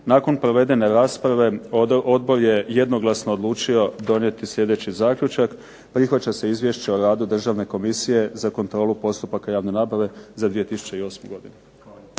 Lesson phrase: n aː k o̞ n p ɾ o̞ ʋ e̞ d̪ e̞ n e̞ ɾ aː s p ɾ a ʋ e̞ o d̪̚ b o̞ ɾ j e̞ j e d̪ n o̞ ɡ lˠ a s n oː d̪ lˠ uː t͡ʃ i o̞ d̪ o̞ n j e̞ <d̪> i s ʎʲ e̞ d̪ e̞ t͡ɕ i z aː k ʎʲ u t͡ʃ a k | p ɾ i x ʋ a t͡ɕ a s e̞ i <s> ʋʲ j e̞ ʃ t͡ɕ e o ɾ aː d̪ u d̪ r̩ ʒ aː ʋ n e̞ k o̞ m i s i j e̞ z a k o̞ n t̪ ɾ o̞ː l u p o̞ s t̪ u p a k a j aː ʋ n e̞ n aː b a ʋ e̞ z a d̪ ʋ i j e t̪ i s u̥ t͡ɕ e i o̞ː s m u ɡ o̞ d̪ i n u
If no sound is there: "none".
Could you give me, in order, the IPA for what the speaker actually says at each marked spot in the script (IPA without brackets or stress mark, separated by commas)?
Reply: t̪, z